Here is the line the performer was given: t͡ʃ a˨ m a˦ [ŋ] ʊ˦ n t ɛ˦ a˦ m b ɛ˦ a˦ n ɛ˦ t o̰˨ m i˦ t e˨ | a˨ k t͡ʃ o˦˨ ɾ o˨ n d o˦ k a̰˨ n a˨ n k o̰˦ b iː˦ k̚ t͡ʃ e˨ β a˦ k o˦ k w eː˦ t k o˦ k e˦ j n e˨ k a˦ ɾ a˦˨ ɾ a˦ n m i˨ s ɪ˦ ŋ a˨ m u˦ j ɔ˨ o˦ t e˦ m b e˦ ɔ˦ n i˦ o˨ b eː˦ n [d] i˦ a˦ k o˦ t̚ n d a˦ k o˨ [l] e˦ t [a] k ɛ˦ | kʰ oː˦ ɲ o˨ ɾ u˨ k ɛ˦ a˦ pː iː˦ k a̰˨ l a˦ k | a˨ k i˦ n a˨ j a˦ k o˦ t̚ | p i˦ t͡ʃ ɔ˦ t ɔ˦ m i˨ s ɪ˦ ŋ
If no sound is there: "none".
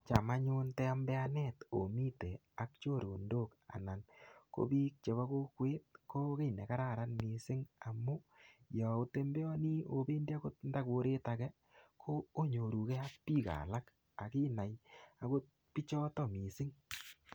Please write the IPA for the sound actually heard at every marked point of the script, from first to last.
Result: ɲ, d, ɾ, a

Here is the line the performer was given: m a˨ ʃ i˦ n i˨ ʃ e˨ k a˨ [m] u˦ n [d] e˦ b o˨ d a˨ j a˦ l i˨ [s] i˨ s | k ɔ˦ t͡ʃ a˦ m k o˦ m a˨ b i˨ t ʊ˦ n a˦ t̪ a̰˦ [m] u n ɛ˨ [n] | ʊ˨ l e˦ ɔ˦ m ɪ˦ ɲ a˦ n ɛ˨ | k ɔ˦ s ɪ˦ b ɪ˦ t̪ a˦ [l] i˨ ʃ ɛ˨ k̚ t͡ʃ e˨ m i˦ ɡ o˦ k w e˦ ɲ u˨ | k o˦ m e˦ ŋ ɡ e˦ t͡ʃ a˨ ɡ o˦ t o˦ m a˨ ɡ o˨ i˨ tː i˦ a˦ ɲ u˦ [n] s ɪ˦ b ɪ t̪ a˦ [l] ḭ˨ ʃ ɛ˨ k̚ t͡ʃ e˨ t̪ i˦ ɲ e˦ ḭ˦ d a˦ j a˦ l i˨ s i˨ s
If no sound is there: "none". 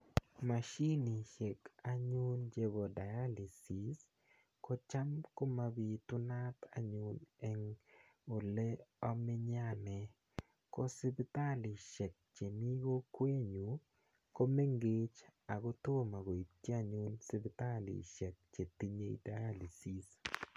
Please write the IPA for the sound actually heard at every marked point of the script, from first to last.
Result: ɲ, d͡ʒ, s, ɲ, ŋ, l, n, l

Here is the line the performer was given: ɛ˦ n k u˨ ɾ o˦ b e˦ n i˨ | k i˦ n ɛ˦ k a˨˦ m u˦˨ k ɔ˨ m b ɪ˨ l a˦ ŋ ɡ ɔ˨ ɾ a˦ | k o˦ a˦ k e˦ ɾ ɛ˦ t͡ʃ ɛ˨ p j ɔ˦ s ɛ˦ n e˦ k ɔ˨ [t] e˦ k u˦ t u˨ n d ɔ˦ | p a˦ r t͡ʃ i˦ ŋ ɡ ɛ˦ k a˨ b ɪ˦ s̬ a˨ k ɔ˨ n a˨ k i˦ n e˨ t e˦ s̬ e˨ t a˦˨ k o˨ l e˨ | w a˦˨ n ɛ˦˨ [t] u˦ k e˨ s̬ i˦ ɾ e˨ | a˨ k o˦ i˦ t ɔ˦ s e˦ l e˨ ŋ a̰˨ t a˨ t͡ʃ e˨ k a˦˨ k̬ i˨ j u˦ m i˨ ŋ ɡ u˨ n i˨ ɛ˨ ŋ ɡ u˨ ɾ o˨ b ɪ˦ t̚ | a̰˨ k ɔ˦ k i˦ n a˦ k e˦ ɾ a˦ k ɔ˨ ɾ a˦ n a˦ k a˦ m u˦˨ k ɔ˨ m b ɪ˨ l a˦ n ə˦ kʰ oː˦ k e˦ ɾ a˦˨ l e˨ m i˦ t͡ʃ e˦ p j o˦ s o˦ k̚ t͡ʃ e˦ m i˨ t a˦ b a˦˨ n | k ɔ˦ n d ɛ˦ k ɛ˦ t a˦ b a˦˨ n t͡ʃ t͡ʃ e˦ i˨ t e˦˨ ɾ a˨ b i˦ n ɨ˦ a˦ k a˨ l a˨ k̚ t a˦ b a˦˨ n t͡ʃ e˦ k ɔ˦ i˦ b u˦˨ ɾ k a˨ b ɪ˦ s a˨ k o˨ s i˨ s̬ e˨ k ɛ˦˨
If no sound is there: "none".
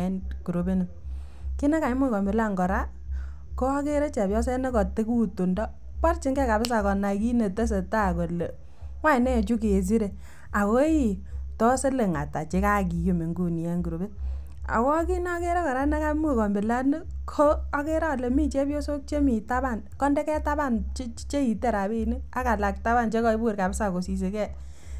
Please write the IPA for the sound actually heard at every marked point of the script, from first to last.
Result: t, t͡ʃ

